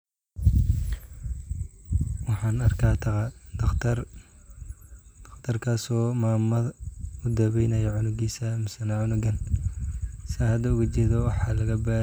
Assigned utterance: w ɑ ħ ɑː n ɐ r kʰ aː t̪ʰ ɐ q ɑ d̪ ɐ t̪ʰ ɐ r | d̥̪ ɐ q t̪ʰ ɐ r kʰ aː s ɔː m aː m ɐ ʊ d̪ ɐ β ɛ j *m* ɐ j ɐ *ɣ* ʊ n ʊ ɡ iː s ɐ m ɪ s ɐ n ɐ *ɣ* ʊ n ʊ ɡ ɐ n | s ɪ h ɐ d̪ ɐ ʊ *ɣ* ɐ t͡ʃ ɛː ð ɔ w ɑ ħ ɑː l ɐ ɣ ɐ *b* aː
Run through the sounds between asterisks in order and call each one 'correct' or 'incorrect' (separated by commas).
incorrect, incorrect, incorrect, correct, correct